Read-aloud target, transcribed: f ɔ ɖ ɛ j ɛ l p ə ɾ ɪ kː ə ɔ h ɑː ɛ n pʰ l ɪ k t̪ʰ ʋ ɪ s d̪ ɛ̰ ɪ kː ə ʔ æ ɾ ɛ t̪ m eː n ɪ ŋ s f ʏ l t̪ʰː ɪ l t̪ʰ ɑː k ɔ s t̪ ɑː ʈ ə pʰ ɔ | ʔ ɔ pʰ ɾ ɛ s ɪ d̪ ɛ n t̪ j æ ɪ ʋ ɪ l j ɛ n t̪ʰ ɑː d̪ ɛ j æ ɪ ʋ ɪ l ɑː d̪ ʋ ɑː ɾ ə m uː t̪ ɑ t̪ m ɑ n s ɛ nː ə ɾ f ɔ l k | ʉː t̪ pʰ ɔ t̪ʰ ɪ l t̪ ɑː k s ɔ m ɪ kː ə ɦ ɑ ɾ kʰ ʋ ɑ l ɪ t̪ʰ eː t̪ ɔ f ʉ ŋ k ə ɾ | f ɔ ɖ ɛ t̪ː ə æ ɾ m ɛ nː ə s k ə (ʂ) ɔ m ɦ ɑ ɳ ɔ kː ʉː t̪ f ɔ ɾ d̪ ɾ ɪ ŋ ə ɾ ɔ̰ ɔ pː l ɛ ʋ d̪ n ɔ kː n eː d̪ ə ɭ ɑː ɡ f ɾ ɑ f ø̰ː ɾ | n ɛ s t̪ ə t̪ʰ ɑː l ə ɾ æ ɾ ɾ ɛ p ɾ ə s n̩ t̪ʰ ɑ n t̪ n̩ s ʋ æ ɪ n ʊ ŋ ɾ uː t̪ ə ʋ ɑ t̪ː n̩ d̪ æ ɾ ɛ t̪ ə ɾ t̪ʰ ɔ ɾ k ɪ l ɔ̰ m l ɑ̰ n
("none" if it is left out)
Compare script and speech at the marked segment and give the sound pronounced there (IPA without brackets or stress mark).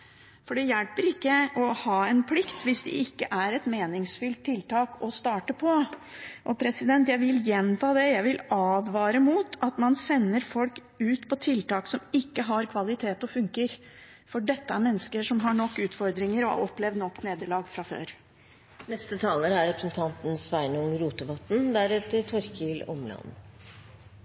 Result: ʂ